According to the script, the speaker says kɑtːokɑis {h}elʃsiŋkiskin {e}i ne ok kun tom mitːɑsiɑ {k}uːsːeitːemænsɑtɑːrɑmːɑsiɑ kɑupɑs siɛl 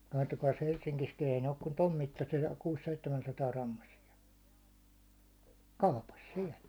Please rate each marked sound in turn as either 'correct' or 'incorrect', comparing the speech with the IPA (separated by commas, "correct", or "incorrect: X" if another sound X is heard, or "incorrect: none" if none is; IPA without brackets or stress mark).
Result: correct, correct, correct